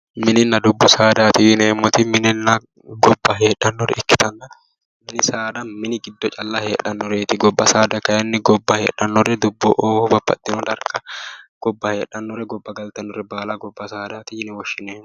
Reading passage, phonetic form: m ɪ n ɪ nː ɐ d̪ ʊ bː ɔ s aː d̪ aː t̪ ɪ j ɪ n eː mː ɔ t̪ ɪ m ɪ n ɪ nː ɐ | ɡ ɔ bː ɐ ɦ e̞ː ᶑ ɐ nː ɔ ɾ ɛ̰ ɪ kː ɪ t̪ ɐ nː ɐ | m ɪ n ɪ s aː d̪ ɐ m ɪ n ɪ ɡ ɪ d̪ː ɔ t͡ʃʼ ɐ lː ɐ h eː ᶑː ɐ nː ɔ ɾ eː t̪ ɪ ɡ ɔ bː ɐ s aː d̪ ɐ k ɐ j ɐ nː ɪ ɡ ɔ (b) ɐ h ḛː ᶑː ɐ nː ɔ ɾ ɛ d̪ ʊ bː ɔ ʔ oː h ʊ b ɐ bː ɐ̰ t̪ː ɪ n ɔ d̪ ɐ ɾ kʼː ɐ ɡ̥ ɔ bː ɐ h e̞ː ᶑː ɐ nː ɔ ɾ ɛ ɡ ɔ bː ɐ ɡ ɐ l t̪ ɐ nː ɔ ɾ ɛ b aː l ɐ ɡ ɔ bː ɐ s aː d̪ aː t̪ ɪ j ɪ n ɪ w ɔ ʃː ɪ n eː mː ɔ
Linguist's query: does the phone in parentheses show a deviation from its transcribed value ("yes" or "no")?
yes